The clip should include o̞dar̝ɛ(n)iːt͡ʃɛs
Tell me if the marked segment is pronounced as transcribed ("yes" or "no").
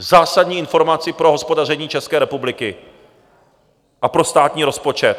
no